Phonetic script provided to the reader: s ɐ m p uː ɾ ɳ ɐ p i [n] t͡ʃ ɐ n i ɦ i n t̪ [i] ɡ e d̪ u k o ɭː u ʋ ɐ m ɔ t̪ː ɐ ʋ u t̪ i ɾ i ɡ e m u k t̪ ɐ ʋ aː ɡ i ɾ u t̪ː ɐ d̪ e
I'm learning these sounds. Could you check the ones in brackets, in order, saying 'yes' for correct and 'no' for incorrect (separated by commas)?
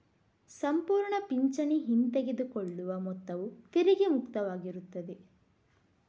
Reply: no, no